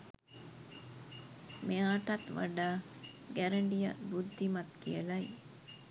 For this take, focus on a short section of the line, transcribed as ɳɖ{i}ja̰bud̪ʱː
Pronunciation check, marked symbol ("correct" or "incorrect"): correct